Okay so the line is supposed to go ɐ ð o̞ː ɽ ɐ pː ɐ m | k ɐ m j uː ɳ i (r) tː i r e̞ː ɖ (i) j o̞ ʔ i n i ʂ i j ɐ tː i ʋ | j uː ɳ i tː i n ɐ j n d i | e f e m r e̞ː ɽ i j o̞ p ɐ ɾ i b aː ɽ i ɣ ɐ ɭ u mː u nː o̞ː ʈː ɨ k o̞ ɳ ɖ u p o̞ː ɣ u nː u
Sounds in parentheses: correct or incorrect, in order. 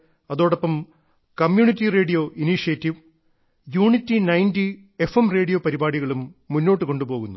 incorrect: none, correct

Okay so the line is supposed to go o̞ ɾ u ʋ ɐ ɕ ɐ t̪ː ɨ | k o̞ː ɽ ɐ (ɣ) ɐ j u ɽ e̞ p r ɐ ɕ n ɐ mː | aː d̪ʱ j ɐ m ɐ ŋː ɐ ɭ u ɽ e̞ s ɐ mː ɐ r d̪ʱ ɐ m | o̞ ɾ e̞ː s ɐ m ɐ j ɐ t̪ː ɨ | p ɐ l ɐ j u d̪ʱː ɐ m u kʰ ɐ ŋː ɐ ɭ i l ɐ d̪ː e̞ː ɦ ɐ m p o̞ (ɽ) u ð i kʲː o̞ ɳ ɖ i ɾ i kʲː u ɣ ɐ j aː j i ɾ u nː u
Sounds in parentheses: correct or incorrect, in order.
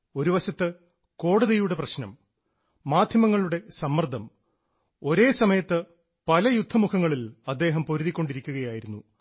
incorrect: ð, incorrect: ɾ

